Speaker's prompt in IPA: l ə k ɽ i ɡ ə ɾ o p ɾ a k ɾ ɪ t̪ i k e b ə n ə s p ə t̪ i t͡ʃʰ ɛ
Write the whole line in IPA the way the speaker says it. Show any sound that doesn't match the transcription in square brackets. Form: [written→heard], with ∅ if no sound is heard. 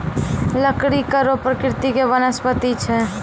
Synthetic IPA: l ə k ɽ i [ɡ→k] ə ɾ o p ɾ [a→ə] k ɾ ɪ t̪ i k e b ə n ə s p ə t̪ i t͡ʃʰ ɛ